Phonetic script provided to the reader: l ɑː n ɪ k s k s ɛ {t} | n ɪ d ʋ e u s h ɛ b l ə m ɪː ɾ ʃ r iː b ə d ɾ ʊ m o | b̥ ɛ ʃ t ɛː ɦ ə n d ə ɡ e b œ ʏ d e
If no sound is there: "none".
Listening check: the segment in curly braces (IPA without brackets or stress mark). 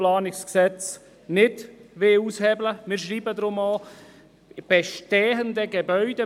t͡s